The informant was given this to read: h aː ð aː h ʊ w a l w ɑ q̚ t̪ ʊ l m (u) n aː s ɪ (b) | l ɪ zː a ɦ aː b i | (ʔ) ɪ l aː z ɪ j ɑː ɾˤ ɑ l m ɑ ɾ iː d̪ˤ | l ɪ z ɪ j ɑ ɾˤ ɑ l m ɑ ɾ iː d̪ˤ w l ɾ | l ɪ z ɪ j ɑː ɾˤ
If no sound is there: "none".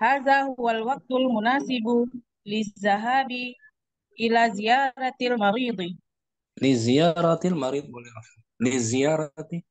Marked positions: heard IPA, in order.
ʊ, b, ʔ

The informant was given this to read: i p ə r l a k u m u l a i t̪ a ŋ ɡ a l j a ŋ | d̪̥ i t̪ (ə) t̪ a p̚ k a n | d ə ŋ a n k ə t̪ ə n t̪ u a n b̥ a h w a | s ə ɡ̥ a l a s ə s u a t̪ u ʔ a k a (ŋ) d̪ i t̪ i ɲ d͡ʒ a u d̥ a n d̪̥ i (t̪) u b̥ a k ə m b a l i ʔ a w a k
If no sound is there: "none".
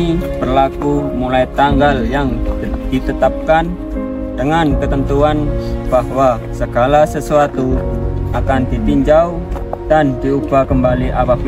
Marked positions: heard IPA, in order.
ə, n, none

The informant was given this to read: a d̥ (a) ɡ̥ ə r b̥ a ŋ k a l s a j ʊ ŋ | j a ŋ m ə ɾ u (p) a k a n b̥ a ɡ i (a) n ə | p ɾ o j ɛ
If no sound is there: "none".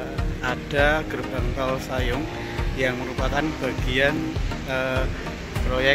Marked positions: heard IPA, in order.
a, p, a

